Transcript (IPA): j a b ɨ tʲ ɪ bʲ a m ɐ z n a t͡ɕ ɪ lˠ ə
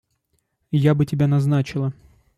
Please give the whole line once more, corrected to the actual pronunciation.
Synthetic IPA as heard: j a b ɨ tʲ ɪ bʲ a n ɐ z n a t͡ɕ ɪ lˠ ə